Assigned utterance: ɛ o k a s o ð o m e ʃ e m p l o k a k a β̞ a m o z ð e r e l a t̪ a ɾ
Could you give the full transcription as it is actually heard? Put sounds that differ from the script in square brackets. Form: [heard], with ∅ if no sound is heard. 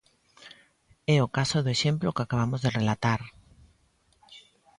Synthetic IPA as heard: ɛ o k a s o ð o [∅] e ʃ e m p l o k a k a β̞ a m o z ð e r e l a t̪ a ɾ